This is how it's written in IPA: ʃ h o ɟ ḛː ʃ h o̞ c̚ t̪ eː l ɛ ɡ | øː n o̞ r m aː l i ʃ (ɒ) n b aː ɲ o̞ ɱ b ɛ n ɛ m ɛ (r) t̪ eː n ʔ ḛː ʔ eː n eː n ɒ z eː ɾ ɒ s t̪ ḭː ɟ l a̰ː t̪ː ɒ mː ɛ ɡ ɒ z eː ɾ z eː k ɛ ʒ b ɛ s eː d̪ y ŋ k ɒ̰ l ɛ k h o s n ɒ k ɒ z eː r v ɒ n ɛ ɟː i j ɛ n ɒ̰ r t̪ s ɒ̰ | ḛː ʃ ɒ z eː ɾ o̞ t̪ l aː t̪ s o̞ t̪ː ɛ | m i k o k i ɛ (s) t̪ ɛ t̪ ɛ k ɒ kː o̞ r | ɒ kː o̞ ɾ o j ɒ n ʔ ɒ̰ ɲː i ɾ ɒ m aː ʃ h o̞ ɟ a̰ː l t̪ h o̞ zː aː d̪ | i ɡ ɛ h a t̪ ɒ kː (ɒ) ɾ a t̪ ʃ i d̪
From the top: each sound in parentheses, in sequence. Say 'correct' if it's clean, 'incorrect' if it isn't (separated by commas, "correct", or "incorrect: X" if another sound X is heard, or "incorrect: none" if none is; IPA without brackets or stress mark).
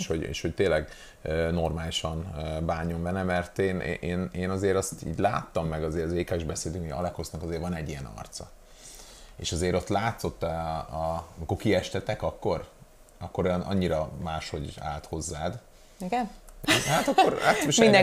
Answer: correct, correct, incorrect: ʃ, incorrect: o